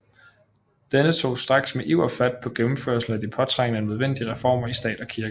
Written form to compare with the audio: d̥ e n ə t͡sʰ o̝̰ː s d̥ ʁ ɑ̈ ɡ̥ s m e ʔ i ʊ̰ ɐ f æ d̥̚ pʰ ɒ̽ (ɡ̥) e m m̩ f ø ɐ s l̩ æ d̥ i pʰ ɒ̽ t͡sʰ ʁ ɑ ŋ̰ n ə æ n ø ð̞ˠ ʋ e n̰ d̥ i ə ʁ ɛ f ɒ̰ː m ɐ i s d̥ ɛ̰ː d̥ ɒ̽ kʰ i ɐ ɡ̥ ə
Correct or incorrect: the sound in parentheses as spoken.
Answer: correct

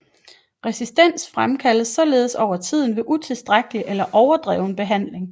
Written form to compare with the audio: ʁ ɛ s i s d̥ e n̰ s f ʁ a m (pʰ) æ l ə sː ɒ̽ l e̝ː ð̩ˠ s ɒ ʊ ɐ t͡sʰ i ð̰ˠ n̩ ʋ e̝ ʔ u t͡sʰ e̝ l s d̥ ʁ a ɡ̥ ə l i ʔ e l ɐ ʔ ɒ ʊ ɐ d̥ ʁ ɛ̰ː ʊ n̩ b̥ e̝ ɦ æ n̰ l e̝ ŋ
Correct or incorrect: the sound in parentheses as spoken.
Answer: incorrect: kʰ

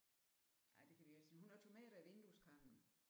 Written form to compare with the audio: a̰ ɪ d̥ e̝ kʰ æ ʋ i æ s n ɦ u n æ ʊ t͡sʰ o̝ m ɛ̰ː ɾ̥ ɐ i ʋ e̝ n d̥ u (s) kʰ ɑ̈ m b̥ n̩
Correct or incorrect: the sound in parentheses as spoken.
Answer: correct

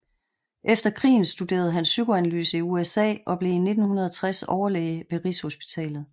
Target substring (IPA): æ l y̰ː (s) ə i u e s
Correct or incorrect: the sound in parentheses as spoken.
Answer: correct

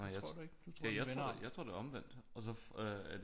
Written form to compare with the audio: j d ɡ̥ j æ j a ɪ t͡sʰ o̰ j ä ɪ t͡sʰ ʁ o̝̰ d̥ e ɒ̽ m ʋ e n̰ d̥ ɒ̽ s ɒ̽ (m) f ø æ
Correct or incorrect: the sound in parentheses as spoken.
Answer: incorrect: none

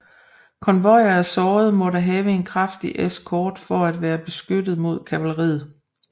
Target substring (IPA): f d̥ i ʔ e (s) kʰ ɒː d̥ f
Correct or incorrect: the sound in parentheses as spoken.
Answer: correct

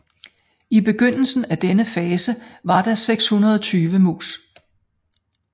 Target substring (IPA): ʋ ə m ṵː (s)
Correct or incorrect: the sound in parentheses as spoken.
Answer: correct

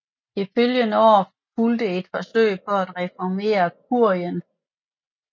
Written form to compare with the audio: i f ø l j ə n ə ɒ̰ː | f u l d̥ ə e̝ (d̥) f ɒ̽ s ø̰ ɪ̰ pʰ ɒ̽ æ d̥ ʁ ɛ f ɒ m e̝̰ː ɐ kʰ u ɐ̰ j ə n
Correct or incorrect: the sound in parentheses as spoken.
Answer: correct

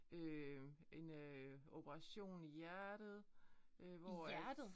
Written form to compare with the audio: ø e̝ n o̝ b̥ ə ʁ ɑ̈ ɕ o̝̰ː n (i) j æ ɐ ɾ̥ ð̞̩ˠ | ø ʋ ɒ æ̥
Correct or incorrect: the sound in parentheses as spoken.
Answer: correct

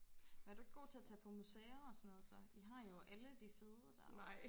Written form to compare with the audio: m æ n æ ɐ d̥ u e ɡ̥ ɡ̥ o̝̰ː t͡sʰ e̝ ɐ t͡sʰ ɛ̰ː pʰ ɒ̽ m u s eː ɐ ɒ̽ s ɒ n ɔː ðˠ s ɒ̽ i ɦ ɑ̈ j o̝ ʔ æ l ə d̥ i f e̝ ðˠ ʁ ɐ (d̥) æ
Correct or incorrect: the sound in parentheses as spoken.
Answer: correct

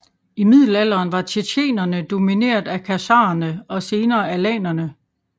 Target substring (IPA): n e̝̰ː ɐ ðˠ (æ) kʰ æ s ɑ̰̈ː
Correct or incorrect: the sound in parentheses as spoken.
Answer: correct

